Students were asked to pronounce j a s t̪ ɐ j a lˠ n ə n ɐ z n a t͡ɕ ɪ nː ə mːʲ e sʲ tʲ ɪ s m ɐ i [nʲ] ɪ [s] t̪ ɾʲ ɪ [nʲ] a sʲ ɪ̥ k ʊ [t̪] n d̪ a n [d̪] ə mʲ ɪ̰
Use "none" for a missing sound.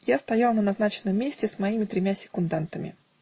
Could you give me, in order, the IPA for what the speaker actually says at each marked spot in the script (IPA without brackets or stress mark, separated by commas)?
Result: mʲ, none, mʲ, none, t̪